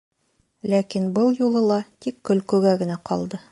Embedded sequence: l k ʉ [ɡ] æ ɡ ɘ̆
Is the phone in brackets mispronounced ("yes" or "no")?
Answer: no